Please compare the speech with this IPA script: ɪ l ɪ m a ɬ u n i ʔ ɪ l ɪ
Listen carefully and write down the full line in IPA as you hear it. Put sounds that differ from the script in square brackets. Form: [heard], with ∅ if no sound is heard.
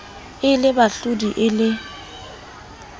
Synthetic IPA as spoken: ɪ l ɪ [b] a ɬ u [d] i ʔ ɪ l ɪ